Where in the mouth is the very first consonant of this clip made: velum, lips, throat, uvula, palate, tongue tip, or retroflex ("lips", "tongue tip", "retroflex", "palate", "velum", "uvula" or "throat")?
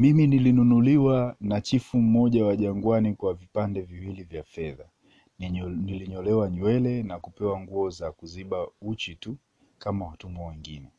lips